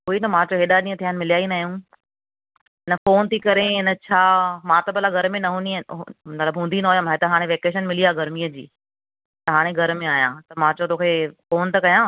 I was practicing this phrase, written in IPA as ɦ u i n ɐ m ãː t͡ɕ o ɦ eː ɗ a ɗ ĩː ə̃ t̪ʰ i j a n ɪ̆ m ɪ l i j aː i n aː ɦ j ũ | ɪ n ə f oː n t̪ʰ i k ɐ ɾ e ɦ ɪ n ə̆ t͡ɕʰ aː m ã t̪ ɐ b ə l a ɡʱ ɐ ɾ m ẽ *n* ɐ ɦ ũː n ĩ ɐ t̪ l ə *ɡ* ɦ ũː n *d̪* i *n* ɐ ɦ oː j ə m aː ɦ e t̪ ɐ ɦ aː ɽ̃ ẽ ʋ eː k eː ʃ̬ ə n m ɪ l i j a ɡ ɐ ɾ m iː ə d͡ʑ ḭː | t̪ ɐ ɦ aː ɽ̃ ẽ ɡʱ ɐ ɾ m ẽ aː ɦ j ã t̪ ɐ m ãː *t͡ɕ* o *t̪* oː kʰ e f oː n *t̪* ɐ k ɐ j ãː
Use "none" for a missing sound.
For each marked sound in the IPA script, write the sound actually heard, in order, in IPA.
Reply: n, b, d̪, n, t͡ɕ, t̪, t̪

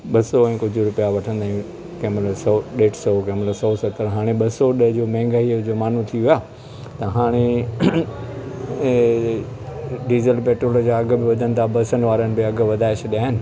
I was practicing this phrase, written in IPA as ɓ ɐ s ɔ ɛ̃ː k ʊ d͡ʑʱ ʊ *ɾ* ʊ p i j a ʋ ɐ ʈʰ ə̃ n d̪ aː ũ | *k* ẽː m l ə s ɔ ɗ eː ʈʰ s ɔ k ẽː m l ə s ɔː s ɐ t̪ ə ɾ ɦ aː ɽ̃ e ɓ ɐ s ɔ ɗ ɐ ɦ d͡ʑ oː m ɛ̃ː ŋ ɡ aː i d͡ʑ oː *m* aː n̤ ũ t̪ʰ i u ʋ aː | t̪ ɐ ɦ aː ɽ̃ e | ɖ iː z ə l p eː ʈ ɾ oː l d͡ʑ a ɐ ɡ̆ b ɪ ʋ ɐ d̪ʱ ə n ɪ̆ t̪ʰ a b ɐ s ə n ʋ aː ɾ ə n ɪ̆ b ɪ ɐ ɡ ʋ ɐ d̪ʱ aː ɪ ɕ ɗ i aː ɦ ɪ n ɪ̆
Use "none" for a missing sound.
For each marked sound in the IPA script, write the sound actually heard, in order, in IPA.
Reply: ɾ, k, m

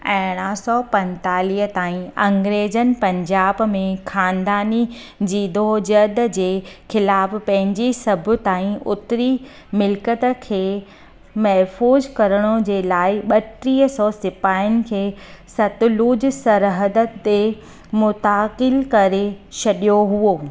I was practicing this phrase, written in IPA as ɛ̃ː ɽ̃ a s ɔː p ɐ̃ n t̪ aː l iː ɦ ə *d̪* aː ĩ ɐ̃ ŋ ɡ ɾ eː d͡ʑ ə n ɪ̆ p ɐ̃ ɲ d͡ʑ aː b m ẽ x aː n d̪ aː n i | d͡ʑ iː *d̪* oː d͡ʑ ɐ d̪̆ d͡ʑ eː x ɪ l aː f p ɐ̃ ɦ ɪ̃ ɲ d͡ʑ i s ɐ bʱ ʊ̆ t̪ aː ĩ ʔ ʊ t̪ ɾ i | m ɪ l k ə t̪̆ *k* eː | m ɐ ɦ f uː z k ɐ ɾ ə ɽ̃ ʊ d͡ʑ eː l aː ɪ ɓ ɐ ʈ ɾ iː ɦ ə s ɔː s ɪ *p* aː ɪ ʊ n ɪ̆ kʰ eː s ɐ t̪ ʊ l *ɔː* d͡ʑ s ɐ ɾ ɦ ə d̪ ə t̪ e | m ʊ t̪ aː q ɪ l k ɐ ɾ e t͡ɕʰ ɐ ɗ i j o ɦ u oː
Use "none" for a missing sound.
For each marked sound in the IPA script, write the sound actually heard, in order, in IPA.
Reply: t̪, d̪, kʰ, p, uː

